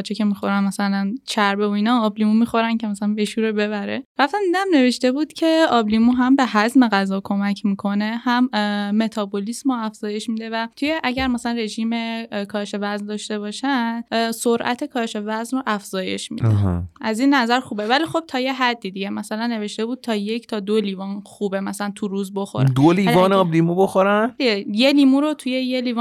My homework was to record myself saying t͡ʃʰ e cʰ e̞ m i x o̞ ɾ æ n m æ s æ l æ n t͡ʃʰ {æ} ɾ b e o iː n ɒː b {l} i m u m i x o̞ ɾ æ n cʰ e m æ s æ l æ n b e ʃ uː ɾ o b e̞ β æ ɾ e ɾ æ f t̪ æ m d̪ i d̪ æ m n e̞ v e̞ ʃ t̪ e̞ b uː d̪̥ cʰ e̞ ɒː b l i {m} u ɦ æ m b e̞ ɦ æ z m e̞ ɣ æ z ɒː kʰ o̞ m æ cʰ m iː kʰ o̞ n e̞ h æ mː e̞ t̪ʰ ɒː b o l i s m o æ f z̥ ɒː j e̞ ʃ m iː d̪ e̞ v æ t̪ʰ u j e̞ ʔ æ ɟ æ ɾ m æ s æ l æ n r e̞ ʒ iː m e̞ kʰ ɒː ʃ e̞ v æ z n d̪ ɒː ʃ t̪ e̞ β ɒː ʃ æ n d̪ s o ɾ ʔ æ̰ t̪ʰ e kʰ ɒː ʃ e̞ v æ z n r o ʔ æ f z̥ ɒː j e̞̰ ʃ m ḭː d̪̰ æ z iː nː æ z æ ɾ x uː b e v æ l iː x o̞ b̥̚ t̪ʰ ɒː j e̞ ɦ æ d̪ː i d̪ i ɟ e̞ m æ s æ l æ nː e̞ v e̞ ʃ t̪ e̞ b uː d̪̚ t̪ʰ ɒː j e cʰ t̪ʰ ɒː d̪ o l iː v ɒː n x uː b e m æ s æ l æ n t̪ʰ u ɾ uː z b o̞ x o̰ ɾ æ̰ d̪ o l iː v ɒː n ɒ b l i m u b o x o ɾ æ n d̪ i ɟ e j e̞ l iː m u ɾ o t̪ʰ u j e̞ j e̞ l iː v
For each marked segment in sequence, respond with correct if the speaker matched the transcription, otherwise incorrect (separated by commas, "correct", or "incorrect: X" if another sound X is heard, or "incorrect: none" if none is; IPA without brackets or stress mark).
correct, correct, correct